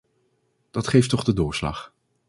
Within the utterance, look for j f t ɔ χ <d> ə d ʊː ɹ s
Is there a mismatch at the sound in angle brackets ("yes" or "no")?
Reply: no